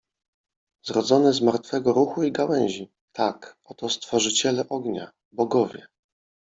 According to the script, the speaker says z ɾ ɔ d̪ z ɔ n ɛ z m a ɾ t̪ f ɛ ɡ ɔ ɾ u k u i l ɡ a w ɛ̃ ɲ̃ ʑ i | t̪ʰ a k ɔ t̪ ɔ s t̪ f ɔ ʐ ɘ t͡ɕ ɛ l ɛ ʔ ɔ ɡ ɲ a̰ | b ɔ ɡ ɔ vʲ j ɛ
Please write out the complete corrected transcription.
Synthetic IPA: z ɾ ɔ d̪ z ɔ n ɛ z m a ɾ t̪ f ɛ ɡ ɔ ɾ u x u i ɡ a w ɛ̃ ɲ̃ ʑ i | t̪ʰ a k ɔ t̪ ɔ s t̪ f ɔ ʐ ɘ t͡ɕ ɛ l ɛ ʔ ɔ ɡ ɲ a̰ | b ɔ ɡ ɔ vʲ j ɛ